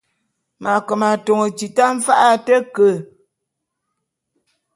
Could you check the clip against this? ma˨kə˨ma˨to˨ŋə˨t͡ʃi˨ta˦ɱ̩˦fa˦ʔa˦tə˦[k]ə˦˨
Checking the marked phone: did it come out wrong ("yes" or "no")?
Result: no